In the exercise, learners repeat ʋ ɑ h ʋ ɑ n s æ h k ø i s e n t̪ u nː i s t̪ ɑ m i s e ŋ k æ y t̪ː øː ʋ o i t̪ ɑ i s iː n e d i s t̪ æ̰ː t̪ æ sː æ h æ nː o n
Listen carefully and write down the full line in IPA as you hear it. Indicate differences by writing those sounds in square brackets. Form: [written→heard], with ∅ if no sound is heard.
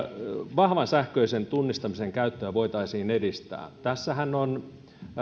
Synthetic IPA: ʋ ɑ h ʋ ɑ n s æ h k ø i s e n t̪ u nː i s t̪ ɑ m i s e ŋ k æ y t̪ː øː ʋ o i t̪ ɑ i s iː n e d i s t̪ æ̰ː t̪ æ sː æ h æ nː o n